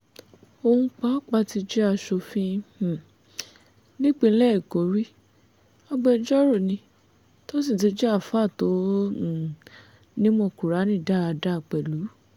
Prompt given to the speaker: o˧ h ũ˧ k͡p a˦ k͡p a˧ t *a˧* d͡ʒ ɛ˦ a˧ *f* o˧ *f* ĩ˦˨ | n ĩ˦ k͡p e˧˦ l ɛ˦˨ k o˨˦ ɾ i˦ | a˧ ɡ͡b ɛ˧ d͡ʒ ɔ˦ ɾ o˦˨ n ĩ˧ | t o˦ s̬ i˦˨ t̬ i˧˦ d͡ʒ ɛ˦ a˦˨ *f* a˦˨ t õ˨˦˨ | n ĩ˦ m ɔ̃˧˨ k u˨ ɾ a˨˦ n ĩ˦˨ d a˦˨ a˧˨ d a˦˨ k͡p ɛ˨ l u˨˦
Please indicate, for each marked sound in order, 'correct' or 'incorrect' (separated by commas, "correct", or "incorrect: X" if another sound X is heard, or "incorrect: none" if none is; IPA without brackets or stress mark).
incorrect: i˧, incorrect: ʃ, correct, correct